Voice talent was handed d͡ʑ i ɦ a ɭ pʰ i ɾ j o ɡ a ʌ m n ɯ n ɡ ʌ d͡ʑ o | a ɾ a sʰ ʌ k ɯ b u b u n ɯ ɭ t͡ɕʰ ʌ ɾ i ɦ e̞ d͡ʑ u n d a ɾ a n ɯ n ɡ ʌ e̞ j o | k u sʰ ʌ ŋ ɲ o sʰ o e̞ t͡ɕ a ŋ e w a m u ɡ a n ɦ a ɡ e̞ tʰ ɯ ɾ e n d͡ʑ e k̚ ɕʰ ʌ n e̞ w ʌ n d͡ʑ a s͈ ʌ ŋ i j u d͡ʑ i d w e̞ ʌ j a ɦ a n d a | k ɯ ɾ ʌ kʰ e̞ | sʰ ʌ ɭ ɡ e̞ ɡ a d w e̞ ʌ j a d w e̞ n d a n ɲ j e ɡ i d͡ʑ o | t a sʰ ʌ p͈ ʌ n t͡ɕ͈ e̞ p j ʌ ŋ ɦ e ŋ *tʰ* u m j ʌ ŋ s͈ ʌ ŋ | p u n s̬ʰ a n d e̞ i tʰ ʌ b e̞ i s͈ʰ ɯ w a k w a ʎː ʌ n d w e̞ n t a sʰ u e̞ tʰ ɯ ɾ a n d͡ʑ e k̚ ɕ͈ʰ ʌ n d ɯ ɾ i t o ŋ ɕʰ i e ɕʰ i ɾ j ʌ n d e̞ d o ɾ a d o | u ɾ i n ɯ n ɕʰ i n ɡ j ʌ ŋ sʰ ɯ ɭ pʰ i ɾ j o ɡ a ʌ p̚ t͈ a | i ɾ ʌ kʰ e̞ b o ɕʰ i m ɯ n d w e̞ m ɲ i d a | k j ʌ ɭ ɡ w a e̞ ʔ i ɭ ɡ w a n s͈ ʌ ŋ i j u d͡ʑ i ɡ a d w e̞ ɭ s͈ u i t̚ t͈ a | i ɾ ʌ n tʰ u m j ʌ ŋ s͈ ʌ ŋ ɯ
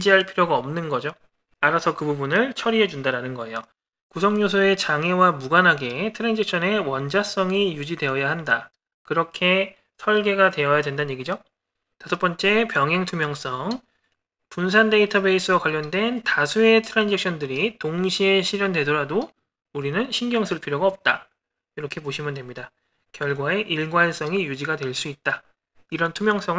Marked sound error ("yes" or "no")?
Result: no